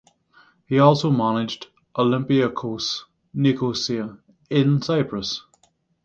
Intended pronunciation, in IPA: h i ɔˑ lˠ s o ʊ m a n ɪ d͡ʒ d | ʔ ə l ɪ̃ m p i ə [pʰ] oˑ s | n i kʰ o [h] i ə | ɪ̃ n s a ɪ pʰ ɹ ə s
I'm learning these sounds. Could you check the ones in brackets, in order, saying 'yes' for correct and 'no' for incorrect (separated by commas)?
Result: no, no